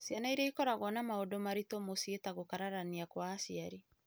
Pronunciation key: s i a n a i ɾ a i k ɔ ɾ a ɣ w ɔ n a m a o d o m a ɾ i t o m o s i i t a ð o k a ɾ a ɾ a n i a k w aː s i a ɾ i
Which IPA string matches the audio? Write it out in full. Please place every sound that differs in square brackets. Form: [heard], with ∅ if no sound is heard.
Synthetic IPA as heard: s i a n a i ɾ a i k ɔ ɾ a ɣ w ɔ n a m a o d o m a ɾ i t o m o s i [e] t a [ɣ] o k a ɾ a ɾ a n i a k w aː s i a ɾ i